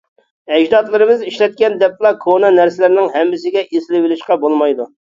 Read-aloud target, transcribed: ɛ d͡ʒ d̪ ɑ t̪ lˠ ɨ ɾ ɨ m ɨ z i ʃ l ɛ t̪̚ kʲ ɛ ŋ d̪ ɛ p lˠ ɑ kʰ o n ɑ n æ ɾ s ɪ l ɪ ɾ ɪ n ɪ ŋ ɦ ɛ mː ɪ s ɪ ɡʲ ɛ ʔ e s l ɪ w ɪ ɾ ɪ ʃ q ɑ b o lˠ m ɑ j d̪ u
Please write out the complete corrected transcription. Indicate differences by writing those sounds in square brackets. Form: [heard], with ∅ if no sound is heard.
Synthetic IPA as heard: ɛ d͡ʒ d̪ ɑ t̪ lˠ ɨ ɾ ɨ m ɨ z i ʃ l ɛ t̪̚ kʲ ɛ [n] d̪ ɛ p lˠ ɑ kʰ o n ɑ n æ ɾ s ɪ l ɪ ɾ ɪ n ɪ ŋ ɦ ɛ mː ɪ s ɪ ɡʲ ɛ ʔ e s l ɪ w ɪ [l] ɪ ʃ q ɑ b o lˠ m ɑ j d̪ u